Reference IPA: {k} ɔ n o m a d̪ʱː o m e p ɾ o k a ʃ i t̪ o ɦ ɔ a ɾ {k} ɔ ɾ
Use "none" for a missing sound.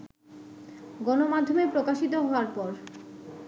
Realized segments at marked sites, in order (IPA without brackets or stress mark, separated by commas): ɡ, p